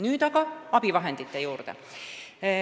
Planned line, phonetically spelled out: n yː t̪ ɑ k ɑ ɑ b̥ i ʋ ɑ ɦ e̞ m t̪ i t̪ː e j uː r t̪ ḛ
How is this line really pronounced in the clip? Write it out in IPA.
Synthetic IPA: n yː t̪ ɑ k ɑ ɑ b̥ i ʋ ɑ ɦ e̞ n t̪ i t̪ː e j uː r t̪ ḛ